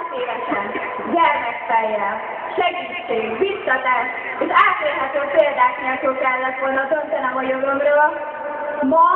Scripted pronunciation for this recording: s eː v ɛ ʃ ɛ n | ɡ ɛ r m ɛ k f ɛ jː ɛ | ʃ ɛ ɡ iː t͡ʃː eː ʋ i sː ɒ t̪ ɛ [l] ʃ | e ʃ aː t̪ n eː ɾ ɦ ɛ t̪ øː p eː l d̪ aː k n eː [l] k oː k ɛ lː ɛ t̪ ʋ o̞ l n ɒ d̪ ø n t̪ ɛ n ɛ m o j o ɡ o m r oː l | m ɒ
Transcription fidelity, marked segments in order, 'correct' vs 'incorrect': incorrect: none, correct

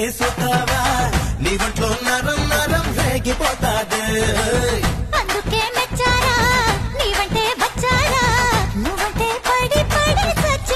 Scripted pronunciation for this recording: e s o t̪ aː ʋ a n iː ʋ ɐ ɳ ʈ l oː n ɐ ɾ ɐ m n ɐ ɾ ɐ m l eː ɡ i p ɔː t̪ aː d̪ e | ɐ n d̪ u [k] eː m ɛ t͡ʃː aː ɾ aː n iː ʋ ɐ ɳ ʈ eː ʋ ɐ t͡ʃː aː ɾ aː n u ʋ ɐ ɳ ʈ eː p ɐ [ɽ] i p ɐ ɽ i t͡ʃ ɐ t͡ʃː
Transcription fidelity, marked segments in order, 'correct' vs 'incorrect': correct, correct

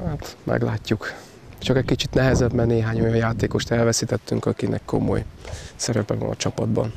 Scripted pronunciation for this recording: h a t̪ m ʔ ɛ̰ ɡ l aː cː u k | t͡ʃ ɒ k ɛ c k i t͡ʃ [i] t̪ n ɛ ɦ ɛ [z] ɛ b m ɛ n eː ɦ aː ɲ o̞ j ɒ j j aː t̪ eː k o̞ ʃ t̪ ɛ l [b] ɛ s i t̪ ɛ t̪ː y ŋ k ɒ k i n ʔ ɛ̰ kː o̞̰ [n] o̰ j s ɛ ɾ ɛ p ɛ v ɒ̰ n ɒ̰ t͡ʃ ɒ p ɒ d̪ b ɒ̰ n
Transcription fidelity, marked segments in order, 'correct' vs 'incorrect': correct, correct, incorrect: v, incorrect: m

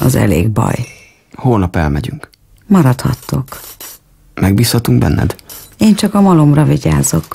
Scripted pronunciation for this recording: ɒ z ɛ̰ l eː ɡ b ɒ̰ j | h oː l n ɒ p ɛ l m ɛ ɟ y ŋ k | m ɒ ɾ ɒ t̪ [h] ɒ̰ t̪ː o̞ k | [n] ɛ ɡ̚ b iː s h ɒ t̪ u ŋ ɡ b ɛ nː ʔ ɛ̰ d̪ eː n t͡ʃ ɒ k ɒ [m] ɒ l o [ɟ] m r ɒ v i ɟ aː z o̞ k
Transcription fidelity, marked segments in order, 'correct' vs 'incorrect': correct, incorrect: m, correct, incorrect: none

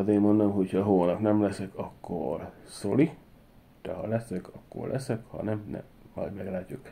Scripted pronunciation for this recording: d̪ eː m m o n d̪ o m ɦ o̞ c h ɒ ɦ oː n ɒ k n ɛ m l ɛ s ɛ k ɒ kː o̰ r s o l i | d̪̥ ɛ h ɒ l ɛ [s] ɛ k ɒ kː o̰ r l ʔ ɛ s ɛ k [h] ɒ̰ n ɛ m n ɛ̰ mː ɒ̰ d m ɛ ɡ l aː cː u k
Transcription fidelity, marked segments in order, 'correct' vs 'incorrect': correct, correct

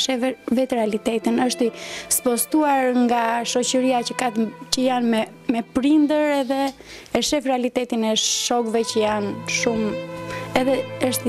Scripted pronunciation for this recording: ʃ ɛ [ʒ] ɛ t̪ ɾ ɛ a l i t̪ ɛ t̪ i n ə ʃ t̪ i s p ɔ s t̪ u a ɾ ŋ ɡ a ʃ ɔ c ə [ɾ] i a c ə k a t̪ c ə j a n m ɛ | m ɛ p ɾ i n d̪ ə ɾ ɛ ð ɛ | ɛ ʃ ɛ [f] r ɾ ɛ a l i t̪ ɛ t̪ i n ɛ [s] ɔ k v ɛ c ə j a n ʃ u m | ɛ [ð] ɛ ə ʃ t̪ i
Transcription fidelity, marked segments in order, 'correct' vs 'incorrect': incorrect: v, correct, correct, incorrect: ʃ, correct

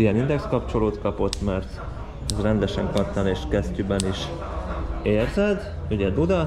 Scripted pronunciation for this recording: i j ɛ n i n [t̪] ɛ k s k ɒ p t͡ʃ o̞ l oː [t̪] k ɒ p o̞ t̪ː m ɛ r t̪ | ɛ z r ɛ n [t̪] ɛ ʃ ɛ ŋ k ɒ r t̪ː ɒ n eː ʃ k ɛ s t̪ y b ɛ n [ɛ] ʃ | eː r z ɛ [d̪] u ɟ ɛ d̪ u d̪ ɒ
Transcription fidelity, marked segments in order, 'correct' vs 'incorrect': incorrect: d̪, correct, incorrect: d̪, incorrect: i, correct

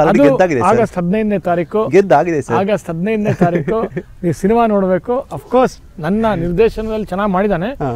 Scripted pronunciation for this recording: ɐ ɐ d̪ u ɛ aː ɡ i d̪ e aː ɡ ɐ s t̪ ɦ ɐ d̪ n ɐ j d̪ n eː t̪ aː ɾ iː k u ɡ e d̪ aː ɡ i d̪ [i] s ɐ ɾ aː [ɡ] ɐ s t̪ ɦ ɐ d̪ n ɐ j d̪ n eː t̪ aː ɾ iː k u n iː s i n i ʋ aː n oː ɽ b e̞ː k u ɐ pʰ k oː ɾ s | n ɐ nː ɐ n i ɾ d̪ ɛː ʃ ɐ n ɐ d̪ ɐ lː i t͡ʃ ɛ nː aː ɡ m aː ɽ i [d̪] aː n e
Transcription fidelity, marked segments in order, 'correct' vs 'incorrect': incorrect: e, correct, correct

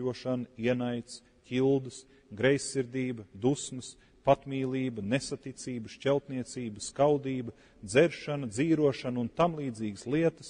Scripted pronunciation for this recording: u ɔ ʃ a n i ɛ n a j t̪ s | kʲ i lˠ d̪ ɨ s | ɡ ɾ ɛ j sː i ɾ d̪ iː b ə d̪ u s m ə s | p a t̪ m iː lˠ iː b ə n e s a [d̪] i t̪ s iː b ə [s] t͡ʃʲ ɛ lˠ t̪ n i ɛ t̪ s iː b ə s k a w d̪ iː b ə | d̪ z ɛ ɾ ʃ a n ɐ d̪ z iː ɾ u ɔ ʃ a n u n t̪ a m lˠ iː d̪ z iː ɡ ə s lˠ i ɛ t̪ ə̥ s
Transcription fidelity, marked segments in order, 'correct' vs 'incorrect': incorrect: t̪, incorrect: ʃ

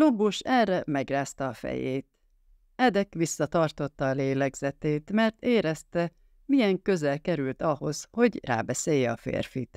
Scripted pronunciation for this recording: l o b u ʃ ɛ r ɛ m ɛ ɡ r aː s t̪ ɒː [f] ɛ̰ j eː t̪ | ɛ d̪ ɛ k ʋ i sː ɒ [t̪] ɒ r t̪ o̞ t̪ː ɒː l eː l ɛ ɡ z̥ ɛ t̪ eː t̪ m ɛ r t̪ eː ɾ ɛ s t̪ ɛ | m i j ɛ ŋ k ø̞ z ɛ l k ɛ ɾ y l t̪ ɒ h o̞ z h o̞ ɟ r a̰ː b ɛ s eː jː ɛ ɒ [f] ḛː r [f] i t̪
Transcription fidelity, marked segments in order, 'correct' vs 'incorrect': correct, correct, correct, correct

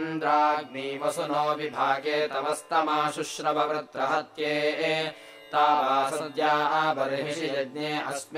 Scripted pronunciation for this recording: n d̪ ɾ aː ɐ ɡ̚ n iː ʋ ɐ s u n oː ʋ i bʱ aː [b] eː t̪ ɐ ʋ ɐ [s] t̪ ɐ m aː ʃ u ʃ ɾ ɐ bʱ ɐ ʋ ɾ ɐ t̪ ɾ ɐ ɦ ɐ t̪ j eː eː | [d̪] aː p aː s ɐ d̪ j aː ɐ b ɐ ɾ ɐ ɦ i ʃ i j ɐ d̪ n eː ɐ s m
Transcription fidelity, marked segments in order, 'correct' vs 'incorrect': incorrect: ɡ, correct, incorrect: t̪

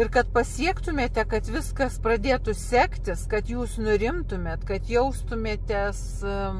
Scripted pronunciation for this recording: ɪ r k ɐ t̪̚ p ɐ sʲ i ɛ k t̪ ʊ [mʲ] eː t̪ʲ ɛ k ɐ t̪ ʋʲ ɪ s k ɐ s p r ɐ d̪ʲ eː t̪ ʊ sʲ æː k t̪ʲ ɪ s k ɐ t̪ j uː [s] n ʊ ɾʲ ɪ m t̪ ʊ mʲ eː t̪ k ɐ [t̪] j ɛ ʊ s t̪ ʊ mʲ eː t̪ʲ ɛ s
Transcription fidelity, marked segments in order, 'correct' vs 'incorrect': correct, correct, correct

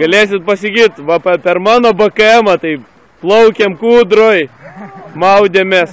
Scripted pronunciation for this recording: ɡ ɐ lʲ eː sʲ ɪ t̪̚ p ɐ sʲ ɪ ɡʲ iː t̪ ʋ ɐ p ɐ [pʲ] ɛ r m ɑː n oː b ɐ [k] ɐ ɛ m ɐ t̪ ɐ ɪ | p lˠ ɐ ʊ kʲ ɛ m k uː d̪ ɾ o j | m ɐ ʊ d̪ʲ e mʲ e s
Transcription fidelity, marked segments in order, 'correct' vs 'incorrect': correct, correct

